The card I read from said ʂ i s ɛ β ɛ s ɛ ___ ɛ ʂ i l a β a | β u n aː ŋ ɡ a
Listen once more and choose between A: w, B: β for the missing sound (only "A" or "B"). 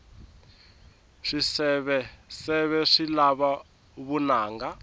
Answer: B